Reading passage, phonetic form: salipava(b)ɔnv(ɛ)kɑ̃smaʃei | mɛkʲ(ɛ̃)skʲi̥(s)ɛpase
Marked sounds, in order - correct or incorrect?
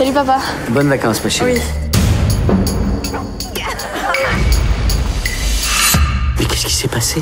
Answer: correct, incorrect: a, incorrect: ɛ, correct

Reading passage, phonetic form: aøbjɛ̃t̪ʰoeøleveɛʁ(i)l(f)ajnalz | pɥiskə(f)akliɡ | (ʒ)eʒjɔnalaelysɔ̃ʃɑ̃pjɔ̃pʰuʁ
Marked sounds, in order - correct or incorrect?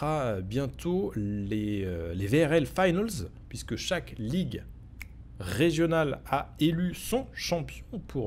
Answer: incorrect: ɛ, correct, incorrect: ʃ, incorrect: ʁ

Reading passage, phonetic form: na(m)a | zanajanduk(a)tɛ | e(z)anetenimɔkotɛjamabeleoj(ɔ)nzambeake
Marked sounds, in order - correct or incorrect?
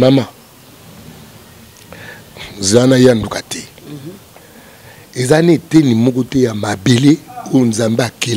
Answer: correct, correct, correct, incorrect: o

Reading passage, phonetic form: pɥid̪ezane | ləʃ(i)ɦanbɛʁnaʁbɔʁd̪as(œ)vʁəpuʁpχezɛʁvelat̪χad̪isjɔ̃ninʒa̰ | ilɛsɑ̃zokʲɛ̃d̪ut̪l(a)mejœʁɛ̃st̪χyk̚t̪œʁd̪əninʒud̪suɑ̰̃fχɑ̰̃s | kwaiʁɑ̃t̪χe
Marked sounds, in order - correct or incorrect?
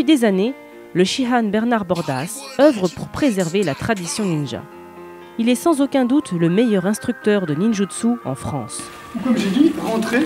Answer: correct, correct, incorrect: ə

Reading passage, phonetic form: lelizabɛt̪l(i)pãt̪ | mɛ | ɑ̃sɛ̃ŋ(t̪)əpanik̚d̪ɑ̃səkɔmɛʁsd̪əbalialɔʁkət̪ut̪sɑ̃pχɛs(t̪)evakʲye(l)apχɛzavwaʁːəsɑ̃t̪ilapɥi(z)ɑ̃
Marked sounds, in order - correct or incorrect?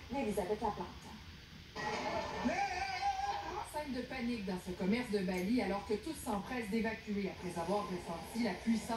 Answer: incorrect: a, incorrect: d̪, incorrect: d̪, incorrect: none, incorrect: s

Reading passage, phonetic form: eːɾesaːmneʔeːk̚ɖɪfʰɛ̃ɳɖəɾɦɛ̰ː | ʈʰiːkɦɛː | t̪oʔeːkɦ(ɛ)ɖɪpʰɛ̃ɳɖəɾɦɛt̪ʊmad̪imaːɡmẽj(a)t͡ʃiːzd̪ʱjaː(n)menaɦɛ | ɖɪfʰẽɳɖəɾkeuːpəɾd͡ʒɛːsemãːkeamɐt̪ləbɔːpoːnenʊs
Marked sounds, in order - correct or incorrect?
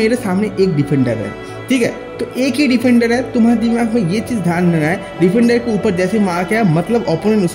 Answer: incorrect: i, incorrect: e, correct

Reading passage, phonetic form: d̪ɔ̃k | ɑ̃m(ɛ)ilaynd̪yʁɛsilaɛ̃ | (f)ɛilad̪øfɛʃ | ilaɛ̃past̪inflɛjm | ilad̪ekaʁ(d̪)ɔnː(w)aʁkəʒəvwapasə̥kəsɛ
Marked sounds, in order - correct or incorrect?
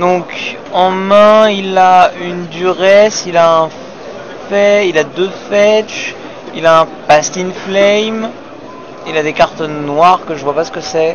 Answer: incorrect: ɛ̃, correct, incorrect: t̪, correct

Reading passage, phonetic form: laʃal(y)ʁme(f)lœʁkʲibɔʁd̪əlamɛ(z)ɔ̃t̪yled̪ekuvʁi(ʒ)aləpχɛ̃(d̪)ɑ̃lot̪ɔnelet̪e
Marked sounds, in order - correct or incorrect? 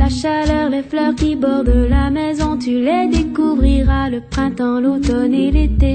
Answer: incorrect: œ, correct, correct, incorrect: ʁ, incorrect: t̪

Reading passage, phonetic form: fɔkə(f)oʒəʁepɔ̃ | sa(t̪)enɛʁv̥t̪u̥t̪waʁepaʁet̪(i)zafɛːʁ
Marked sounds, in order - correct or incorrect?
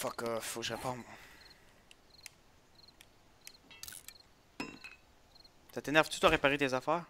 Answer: correct, correct, incorrect: e

